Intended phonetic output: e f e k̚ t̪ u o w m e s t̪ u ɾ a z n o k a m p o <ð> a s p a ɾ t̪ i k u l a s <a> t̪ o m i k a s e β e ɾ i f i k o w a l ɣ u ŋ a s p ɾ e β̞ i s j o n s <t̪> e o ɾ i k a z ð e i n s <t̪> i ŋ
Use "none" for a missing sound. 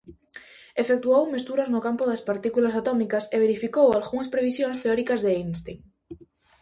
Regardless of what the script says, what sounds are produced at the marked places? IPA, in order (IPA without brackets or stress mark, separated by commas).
ð, a, t̪, t̪